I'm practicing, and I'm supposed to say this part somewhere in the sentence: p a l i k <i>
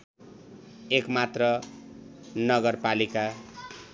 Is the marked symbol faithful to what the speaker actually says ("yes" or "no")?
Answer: no